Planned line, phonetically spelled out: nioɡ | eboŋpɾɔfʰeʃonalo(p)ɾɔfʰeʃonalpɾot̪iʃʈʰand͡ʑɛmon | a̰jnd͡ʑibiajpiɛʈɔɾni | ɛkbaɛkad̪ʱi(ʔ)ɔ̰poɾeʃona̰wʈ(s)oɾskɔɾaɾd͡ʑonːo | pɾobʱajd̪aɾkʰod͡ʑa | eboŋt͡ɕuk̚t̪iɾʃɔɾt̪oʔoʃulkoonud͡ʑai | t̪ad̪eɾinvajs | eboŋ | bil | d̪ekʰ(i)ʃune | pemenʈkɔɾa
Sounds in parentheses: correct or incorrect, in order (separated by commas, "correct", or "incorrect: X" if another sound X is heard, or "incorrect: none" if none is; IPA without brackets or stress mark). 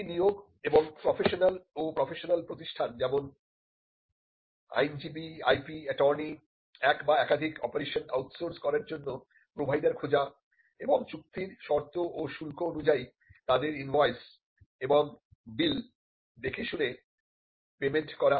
correct, incorrect: k, correct, incorrect: e